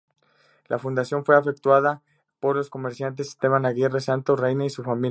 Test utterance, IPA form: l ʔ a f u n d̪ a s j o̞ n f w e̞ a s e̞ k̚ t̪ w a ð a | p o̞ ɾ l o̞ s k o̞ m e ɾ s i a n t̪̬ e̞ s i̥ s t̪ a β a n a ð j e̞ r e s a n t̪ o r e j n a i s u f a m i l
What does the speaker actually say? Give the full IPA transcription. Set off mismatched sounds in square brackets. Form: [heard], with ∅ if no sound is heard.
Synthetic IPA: l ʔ a f u n d̪ a s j o̞ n f w e̞ a [f] e̞ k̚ t̪ w a ð a | p o̞ ɾ l o̞ s k o̞ m e ɾ s [j] a n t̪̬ e̞ s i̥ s t̪ [e] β a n a [ɣ] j e̞ r e s a n t̪ o r e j n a i s u f a m i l